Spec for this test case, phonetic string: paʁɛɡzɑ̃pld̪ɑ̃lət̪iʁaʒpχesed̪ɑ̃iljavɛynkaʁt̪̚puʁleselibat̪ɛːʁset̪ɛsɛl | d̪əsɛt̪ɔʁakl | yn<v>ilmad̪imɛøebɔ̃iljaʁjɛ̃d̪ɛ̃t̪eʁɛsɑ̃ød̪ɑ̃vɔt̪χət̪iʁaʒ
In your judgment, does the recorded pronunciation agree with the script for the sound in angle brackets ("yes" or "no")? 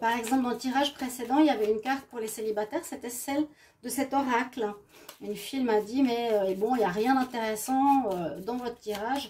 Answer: no